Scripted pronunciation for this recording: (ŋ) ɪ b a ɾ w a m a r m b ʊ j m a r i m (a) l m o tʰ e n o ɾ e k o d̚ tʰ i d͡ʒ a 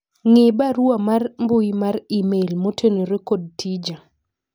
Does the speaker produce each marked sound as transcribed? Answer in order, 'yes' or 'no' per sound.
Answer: yes, no

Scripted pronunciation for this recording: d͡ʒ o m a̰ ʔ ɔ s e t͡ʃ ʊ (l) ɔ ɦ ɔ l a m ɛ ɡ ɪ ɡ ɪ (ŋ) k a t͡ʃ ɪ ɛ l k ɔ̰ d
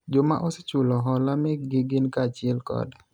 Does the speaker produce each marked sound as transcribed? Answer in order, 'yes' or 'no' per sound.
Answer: yes, no

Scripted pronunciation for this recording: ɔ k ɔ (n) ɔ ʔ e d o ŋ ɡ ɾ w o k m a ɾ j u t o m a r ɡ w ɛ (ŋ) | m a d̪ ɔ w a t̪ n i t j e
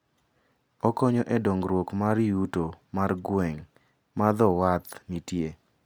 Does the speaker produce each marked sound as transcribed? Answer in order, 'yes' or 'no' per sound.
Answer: no, yes

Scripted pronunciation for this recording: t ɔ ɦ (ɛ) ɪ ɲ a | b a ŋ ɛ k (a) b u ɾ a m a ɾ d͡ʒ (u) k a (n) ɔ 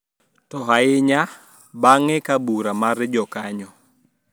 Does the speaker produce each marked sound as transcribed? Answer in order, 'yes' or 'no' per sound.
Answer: no, yes, no, no

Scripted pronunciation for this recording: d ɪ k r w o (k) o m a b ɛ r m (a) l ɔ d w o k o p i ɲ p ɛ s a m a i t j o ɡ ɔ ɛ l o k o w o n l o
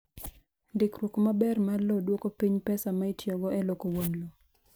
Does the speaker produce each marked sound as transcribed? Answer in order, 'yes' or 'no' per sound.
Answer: yes, yes

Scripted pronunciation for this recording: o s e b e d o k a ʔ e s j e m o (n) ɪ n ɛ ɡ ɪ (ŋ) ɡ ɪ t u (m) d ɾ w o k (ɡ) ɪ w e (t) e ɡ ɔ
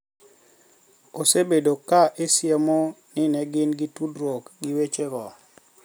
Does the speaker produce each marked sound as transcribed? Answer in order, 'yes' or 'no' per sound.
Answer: yes, no, no, yes, no

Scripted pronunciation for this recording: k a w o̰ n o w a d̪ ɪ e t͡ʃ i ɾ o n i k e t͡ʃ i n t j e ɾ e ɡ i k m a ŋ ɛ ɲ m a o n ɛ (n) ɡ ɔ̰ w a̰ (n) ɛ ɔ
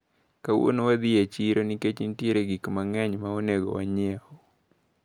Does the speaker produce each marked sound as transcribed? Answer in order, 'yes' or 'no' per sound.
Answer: no, no

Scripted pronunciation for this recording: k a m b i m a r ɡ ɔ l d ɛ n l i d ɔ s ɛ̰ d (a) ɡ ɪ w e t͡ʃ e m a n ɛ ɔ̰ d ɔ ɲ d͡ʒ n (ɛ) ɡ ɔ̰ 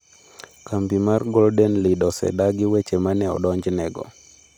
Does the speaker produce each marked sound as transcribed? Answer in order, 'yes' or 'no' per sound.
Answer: yes, yes

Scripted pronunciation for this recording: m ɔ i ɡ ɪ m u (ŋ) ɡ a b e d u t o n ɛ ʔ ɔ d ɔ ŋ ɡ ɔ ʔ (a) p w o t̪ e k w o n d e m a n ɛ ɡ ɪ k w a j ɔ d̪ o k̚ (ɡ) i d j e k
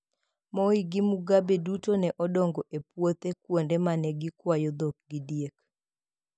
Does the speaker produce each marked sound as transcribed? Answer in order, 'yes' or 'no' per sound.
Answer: no, no, yes

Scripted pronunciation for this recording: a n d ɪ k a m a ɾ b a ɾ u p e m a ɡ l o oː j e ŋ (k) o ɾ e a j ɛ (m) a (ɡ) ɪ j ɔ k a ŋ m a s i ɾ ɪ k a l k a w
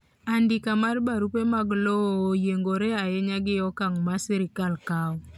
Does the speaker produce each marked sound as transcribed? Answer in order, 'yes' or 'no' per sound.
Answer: no, no, yes

